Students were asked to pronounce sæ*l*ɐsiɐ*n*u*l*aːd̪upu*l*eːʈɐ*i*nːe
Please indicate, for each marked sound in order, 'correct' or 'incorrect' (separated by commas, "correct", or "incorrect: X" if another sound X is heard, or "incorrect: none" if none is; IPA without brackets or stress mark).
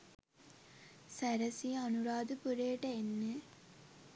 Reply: incorrect: ɾ, correct, incorrect: ɾ, incorrect: ɾ, incorrect: e